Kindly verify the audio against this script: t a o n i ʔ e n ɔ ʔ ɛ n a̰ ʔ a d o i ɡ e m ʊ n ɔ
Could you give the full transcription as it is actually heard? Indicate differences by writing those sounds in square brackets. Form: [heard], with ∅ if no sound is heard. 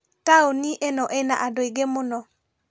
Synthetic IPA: t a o n i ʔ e n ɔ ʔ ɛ n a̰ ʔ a d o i ɡ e m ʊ n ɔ